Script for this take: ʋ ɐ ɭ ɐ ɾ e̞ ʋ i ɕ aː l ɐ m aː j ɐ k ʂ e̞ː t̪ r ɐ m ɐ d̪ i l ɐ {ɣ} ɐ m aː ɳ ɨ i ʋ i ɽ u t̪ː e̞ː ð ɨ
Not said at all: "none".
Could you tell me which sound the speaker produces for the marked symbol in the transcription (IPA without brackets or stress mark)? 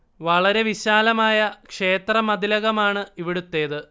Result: ɣ